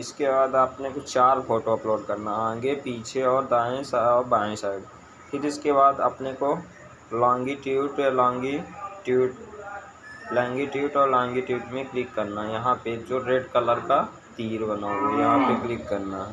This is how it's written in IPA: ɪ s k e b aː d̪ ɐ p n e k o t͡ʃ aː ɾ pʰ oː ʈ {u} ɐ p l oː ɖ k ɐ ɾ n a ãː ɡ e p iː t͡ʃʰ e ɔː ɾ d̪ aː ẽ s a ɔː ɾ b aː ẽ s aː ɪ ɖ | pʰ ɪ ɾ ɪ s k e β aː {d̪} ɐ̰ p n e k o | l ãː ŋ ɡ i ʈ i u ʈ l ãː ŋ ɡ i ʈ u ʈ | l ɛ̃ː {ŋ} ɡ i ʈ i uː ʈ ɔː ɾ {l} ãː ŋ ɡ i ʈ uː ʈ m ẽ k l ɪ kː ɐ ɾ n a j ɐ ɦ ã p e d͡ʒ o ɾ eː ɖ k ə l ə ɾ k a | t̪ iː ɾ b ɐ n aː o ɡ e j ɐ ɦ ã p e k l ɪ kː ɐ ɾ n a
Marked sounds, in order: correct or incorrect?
incorrect: o, correct, correct, correct

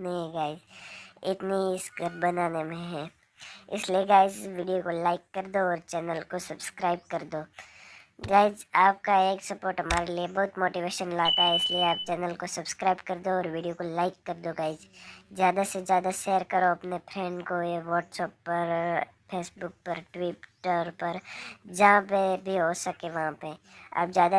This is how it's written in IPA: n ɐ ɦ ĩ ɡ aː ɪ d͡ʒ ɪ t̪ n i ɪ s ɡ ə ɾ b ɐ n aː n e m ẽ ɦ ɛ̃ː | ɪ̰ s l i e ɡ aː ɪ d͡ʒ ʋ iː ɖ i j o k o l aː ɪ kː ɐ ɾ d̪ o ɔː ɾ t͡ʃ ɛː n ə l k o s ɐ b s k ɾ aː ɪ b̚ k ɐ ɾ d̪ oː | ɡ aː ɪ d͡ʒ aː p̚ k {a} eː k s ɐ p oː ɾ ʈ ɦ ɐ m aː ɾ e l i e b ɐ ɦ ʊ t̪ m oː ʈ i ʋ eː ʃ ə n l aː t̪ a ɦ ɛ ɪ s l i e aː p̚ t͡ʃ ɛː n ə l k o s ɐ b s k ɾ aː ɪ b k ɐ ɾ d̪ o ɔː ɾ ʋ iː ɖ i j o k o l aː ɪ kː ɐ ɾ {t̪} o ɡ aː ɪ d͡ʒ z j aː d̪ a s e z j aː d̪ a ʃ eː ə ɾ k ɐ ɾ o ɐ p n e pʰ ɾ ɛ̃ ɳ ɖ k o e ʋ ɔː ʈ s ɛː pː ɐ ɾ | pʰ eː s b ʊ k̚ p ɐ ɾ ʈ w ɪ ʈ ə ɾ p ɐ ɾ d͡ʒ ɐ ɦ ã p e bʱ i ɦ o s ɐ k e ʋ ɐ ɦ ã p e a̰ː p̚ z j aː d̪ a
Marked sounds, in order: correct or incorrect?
correct, incorrect: d̪

